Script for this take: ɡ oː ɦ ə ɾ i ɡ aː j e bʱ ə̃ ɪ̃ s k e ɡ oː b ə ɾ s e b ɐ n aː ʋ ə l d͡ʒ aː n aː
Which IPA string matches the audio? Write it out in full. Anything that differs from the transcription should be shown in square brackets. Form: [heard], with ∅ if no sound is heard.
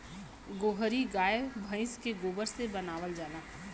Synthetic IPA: ɡ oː ɦ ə ɾ i ɡ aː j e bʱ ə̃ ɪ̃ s k e ɡ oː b ə ɾ s e b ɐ n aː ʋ ə l d͡ʒ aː n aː